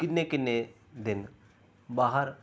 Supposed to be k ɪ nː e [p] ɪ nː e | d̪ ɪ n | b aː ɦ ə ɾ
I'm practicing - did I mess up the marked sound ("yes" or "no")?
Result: yes